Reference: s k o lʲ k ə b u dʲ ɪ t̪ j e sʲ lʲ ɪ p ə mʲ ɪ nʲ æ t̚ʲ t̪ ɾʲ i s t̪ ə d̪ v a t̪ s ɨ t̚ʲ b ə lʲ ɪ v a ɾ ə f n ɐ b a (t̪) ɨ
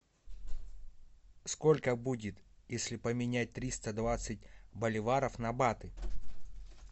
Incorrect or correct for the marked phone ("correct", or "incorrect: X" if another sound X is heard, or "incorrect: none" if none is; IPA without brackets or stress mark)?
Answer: correct